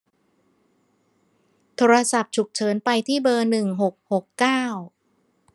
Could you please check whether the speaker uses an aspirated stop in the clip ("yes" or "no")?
yes